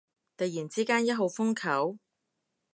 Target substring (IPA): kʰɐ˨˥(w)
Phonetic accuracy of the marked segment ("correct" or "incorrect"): correct